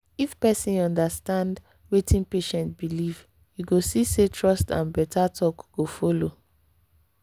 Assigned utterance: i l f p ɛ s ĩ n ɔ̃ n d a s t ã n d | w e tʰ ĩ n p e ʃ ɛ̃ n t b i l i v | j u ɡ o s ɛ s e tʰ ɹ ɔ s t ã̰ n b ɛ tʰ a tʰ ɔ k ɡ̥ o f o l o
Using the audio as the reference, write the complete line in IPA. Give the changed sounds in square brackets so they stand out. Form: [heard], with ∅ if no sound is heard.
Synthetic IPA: i [∅] f p ɛ s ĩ n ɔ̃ n d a s t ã n d | w e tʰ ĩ n p e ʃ ɛ̃ n t b i l i v | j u ɡ o s [i] s e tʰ ɹ ɔ s t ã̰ n b ɛ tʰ a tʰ ɔ k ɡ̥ o f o l o